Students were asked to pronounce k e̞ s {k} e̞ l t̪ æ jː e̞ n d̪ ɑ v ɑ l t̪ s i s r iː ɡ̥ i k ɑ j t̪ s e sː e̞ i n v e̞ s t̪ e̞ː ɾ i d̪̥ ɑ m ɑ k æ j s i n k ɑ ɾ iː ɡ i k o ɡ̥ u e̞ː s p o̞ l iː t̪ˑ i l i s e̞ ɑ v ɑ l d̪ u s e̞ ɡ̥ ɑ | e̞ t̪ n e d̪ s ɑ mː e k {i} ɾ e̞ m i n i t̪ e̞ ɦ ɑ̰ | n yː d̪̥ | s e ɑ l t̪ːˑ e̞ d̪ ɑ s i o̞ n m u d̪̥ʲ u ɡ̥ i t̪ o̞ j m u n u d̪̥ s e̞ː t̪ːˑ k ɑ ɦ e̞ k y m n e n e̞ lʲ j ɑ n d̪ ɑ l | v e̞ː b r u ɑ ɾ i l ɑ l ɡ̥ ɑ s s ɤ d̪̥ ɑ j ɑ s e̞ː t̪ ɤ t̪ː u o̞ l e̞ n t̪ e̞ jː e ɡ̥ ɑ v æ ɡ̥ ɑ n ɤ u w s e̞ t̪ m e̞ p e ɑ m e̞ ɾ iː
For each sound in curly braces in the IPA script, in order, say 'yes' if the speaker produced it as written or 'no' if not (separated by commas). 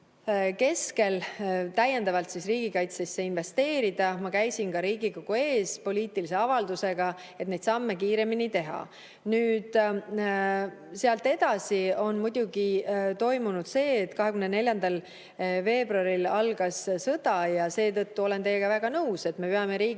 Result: yes, no